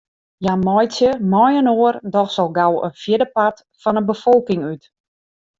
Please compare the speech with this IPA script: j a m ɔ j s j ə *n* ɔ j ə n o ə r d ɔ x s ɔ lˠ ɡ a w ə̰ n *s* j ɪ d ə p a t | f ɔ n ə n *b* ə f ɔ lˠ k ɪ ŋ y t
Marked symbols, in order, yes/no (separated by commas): no, no, yes